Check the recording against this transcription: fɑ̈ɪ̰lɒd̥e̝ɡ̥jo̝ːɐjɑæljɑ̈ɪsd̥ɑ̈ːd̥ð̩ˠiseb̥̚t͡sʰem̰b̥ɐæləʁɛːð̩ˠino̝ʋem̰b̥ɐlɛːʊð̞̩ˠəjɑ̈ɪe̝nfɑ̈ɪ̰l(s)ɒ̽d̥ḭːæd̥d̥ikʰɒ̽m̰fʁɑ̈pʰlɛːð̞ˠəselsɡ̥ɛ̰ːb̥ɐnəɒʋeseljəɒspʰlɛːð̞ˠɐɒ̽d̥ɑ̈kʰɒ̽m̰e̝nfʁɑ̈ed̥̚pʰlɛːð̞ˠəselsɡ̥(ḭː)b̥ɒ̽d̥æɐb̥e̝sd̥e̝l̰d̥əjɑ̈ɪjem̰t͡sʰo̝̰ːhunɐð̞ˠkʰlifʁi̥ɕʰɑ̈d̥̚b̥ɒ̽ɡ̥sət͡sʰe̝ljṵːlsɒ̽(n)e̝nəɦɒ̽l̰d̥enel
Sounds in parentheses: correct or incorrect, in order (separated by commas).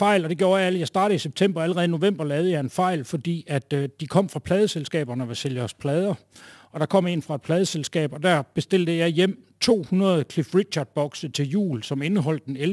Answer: incorrect, incorrect, incorrect